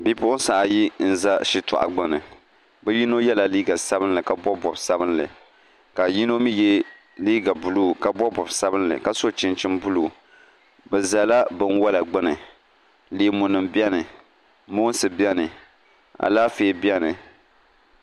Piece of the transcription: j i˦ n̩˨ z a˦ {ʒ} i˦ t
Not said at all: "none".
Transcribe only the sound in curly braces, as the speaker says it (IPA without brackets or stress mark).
ʃ